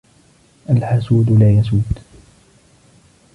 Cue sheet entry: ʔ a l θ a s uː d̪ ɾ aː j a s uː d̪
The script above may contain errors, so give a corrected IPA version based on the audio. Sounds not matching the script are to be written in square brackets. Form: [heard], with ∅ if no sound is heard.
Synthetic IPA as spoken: ʔ a l [ħ] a s uː d̪ [l] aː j a s uː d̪